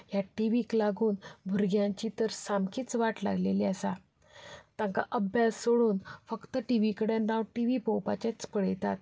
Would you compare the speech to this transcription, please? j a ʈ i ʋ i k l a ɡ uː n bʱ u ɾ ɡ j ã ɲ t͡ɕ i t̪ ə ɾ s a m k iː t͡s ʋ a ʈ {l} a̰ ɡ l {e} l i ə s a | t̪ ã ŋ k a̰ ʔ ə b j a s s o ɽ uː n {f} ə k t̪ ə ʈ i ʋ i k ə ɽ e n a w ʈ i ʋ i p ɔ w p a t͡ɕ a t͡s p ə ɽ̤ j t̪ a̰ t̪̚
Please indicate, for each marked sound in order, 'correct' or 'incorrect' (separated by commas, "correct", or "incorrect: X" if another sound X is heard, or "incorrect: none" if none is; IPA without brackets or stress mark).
correct, correct, correct